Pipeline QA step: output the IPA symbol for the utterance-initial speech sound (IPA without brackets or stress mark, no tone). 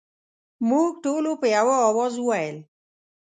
m